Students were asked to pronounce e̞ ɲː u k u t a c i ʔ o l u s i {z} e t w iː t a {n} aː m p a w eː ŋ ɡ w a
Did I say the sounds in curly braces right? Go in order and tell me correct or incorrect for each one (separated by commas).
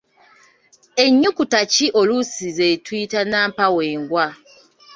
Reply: correct, correct